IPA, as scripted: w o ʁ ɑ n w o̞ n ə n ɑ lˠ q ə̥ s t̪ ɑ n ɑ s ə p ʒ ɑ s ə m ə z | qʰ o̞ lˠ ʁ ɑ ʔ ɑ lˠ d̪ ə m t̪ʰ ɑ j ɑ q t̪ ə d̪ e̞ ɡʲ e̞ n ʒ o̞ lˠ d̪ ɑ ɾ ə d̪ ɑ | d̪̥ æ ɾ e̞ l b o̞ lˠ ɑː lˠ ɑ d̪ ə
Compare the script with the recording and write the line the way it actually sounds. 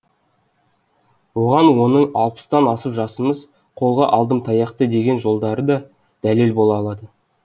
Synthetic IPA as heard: w o ʁ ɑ n w o̞ n ə ɴ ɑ lˠ p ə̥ s t̪ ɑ n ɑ s ə p ʒ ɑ s ə m ə z | qʰ o̞ lˠ ʁ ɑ ʔ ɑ lˠ d̪ ə m t̪ʰ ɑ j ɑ q t̪ ə d̪ e̞ ɡʲ e̞ n ʒ o̞ lˠ d̪ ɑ ɾ ə d̪ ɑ | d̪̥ æ l e̞ l b o̞ lˠ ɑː lˠ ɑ d̪ ə